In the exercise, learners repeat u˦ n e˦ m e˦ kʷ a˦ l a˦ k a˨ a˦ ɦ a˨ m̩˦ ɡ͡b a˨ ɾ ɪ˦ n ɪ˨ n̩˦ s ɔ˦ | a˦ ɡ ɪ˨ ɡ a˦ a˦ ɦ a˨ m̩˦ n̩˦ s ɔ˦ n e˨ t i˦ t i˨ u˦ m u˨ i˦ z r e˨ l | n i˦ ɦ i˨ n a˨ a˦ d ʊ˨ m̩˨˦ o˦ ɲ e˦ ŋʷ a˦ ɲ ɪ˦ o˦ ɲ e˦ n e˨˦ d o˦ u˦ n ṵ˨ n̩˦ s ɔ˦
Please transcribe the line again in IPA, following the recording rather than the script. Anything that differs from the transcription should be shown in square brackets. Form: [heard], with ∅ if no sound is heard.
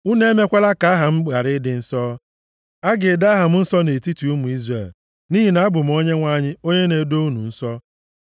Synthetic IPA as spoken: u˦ n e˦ m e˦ kʷ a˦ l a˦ k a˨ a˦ ɦ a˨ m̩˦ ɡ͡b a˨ ɾ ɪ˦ [d] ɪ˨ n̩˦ s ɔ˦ | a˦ ɡ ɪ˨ [d] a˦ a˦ ɦ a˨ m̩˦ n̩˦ s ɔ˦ n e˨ t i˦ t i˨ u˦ m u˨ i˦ z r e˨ l | n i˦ ɦ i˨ n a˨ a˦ [b] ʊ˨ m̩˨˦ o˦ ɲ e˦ ŋʷ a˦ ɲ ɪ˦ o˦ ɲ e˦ n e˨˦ d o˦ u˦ n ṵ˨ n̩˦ s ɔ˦